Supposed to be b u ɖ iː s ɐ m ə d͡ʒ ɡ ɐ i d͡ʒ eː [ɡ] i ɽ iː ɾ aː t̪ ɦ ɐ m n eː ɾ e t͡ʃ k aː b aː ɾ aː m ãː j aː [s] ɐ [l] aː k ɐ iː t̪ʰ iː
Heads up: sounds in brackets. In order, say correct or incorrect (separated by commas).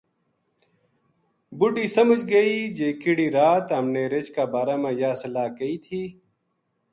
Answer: incorrect, correct, correct